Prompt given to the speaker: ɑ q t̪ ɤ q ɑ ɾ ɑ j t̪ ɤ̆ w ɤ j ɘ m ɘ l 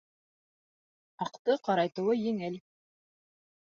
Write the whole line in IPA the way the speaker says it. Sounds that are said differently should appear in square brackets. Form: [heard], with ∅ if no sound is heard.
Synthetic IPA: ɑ q t̪ ɤ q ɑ ɾ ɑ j t̪ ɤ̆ w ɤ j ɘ [ŋ] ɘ l